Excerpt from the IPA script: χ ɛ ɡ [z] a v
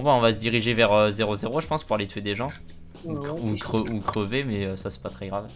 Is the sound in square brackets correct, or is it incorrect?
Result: incorrect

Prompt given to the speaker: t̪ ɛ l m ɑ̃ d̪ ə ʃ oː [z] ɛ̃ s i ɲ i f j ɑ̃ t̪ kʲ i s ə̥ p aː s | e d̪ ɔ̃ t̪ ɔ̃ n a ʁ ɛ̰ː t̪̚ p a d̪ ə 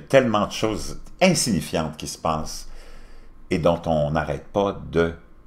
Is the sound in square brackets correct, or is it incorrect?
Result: correct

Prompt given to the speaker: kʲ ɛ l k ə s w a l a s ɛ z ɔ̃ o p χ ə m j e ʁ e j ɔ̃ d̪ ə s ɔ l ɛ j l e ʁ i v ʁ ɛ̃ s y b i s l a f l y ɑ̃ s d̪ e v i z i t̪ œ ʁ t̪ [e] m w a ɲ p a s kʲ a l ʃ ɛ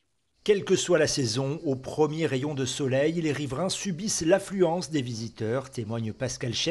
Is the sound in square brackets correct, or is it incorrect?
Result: correct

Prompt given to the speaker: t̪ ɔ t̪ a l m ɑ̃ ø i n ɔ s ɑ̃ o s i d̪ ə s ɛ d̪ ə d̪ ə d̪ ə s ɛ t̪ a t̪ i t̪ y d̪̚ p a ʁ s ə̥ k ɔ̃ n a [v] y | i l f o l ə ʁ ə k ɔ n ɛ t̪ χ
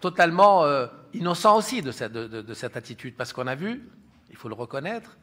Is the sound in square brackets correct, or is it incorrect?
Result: correct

